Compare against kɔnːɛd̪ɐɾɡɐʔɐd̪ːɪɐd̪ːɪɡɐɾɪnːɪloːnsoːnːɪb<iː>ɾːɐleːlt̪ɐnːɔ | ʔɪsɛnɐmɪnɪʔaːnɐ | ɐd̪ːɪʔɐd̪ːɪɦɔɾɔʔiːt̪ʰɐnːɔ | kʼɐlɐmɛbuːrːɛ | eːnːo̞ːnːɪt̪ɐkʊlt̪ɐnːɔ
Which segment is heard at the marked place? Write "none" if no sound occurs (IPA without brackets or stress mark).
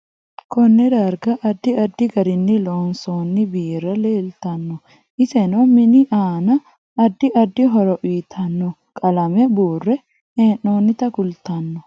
iː